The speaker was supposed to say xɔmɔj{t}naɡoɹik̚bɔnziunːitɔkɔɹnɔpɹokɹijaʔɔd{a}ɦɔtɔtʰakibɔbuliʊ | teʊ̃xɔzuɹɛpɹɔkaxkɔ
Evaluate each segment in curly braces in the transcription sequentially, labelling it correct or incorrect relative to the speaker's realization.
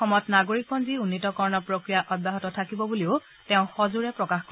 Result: correct, correct

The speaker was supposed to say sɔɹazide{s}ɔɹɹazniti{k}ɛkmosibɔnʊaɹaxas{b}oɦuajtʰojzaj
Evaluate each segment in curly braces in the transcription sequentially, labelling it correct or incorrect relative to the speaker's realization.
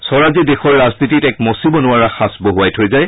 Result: incorrect, incorrect, correct

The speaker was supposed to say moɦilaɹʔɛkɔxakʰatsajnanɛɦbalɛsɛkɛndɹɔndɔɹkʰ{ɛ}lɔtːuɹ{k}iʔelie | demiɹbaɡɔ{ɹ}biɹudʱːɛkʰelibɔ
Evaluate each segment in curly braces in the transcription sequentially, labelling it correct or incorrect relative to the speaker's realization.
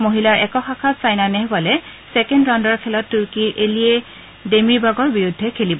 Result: correct, correct, correct

